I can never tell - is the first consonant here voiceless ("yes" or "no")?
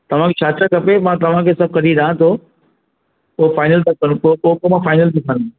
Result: yes